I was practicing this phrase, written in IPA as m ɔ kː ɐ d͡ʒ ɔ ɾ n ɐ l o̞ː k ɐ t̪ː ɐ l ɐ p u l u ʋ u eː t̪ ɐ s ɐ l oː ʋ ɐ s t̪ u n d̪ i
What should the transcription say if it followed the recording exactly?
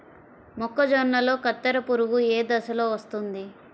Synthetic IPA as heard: m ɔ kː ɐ d͡ʒ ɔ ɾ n ɐ l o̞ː k ɐ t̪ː ɐ ɾ ɐ p u ɾ u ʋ u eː d̪ ɐ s ɐ l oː ʋ ɐ s t̪ u n d̪ i

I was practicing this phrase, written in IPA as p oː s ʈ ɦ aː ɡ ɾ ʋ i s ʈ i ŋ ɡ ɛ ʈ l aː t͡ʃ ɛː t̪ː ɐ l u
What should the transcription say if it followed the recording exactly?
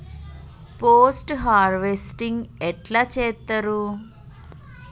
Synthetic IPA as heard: p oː s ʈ ɦ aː ɾ ʋ e s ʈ i ŋ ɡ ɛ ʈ l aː t͡ʃ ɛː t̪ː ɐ ɾ u

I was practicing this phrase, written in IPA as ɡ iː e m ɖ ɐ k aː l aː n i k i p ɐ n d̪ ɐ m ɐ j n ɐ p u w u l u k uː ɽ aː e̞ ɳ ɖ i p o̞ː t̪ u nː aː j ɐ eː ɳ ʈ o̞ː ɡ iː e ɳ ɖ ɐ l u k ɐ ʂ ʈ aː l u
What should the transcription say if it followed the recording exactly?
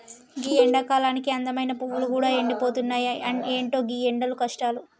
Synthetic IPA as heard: ɡ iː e ɳ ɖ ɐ k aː l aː n i k i ɐ n d̪ ɐ m ɐ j n ɐ p u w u l u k uː ɽ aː e̞ ɳ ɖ i p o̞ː t̪ u nː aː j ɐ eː ɳ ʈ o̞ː ɡ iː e ɳ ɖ ɐ l u k ɐ ʂ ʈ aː l u

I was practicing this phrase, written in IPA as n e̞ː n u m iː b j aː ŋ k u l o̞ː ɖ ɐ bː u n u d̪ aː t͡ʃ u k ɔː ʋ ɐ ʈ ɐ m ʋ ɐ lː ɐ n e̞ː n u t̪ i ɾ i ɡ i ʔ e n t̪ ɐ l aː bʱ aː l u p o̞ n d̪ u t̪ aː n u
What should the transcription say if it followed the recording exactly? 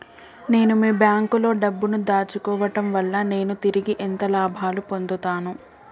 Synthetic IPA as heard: n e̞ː n u m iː b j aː ŋ k u l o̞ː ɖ ɐ bː u n u d̪ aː t͡ʃ u k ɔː ʋ ɐ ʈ ɐ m ʋ ɐ lː ɐ n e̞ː n u t̪ i ɾ i ɡ i ʔ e n t̪ ɐ l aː bʱ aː l u p o̞ n d̪ u t̪ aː n u

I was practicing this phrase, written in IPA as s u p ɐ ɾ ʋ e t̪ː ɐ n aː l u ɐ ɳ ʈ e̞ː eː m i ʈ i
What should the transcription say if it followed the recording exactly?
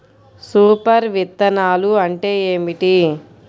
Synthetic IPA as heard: s uː p ɐ ɾ ʋ i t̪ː ɐ n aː l u ɐ ɳ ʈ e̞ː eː m i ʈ i

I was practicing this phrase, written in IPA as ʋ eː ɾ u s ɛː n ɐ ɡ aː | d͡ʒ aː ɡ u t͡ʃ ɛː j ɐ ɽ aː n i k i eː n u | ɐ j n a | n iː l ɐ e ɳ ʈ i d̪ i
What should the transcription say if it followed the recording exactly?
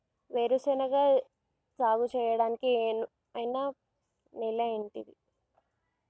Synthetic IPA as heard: ʋ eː ɾ u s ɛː n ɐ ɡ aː | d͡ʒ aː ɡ u t͡ʃ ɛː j ɐ ɽ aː n i k i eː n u | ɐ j n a | n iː l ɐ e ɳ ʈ i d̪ i

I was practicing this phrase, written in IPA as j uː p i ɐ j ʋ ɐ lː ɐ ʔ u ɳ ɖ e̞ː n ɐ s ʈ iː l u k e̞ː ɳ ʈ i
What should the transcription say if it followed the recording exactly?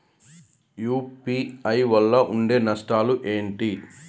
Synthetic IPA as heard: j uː p i ɐ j ʋ ɐ lː ɐ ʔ u ɳ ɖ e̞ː n ɐ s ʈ aː l u ʔ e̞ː ɳ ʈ i

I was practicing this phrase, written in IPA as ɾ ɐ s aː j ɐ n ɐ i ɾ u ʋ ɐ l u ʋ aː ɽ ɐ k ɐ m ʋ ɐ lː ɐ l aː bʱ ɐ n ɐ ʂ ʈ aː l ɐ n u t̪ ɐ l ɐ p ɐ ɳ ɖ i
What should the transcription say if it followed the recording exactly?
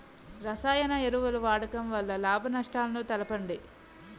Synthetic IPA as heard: ɾ ɐ s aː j ɐ n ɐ e ɾ u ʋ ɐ l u ʋ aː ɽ ɐ k ɐ m ʋ ɐ lː ɐ l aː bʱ ɐ n ɐ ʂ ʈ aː l ɐ n u t̪ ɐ l ɐ p ɐ ɳ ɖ i

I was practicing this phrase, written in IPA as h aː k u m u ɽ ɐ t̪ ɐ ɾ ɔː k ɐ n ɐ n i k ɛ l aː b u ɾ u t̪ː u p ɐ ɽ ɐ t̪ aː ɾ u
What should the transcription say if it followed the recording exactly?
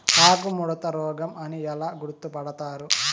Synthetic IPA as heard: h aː k u m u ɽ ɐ t̪ ɐ ɾ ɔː ɡ ɐ m ɐ n i ɛ l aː ɡ u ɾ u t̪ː u p ɐ ɽ ɐ t̪ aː ɾ u

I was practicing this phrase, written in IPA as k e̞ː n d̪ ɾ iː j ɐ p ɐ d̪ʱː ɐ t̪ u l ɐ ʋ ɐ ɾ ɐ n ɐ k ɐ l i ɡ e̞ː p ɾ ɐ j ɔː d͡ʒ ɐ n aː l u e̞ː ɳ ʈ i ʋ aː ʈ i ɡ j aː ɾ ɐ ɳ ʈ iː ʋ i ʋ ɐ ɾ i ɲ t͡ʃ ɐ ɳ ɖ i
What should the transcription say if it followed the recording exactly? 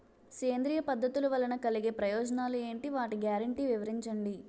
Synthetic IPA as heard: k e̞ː n d̪ ɾ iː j ɐ p ɐ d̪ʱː ɐ t̪ u l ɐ ʋ ɐ l ɐ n ɐ k ɐ l i ɡ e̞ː p ɾ ɐ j ɔː d͡ʒ ɐ n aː l u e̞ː ɳ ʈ i ʋ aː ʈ i ɡ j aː ɾ ɐ ɳ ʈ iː ʋ i ʋ ɐ ɾ i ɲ t͡ʃ ɐ ɳ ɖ i

